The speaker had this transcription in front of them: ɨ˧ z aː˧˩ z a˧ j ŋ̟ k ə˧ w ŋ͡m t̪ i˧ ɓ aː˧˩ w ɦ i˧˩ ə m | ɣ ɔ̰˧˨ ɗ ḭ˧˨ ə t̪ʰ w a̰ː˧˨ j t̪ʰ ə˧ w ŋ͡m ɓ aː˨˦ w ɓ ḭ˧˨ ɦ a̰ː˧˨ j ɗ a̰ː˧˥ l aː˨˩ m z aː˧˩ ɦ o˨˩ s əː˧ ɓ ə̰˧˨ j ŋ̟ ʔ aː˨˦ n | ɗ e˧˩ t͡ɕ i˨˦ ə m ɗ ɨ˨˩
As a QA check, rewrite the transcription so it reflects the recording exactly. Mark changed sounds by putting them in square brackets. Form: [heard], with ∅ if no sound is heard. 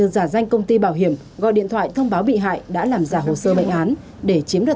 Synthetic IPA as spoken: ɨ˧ z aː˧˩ z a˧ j ŋ̟ k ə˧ w ŋ͡m t̪ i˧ ɓ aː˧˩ w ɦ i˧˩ ə m | ɣ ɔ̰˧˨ ɗ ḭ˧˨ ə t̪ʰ w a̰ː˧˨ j t̪ʰ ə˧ w ŋ͡m ɓ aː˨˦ w ɓ ḭ˧˨ ɦ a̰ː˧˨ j ɗ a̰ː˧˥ l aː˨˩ m z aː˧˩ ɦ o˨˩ s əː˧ ɓ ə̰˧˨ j ŋ̟ ʔ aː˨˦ n | ɗ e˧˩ t͡ɕ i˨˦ ə m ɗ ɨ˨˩

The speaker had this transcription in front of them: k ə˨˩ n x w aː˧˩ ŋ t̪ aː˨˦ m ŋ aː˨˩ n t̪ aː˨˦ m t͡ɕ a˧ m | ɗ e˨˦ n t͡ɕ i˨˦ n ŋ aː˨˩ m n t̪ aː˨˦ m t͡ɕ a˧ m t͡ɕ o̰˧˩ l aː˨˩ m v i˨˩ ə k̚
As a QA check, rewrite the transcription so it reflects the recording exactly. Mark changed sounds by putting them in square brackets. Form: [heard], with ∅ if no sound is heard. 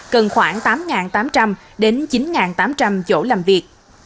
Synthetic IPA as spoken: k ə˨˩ n x w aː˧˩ ŋ t̪ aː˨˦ m ŋ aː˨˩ n t̪ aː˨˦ m t͡ɕ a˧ m | ɗ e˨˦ n t͡ɕ i˨˦ n ŋ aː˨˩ [∅] n t̪ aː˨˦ m t͡ɕ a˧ m t͡ɕ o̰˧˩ l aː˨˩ m v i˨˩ ə k̚

